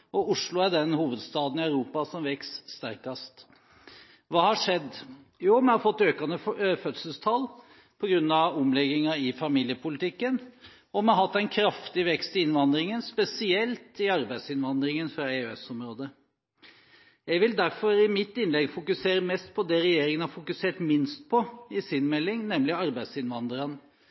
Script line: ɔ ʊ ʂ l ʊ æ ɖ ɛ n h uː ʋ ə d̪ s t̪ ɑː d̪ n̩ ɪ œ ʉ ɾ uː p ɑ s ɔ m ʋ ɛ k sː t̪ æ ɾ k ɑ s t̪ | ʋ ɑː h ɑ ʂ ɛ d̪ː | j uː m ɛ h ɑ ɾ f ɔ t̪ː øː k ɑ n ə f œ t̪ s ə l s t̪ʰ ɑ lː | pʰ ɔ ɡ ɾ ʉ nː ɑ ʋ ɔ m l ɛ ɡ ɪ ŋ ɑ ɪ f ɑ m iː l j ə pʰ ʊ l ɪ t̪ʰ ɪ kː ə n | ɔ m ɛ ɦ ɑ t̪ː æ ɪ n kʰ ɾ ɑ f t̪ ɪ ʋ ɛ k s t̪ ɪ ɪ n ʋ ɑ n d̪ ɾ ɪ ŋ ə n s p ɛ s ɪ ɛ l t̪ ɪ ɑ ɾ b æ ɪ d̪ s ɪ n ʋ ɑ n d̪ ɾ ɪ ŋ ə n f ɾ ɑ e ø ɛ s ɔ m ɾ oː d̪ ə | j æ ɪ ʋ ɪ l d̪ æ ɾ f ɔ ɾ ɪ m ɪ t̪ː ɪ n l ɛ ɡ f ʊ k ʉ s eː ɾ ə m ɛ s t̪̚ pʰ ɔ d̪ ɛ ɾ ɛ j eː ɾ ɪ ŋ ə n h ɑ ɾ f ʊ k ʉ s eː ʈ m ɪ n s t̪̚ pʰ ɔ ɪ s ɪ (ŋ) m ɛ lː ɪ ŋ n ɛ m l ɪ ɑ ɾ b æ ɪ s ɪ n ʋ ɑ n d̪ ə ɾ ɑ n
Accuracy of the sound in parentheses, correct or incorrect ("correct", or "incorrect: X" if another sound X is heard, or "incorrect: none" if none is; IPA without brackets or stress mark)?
incorrect: n